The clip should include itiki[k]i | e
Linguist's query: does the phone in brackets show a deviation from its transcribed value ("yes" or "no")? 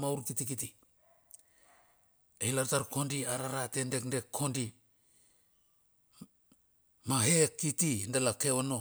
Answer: yes